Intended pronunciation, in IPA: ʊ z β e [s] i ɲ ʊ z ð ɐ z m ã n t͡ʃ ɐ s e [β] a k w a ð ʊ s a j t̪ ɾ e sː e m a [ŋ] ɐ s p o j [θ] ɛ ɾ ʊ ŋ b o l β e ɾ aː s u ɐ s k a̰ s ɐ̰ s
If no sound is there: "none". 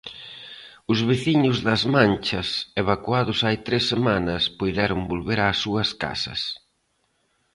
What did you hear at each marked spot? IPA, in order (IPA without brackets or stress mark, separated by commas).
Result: θ, β, n, ð